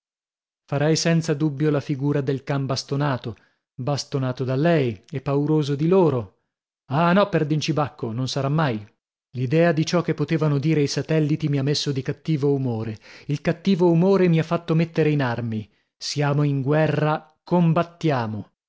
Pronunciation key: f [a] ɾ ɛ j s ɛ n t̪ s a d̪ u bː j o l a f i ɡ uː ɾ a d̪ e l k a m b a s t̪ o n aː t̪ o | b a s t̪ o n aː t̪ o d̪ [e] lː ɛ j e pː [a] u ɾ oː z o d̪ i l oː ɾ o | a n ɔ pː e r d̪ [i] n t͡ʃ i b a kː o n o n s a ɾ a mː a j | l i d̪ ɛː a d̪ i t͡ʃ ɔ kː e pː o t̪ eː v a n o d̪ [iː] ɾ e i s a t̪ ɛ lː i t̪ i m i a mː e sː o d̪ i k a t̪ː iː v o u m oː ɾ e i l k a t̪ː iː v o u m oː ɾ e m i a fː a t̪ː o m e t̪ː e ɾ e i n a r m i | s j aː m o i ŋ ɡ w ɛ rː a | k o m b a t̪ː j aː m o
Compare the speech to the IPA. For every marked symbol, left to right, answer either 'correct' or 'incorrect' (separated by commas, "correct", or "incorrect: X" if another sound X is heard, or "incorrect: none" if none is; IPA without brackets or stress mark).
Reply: correct, incorrect: a, correct, correct, correct